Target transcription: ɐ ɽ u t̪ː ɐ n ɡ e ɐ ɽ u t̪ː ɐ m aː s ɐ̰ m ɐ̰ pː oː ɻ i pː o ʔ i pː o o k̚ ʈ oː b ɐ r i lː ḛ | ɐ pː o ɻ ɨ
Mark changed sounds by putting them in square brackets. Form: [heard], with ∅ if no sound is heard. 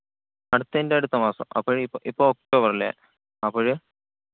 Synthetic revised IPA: ɐ ɽ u t̪ː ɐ n [d] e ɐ ɽ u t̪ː ɐ m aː s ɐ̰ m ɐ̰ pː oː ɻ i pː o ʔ i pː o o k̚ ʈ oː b ɐ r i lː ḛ | ɐ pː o ɻ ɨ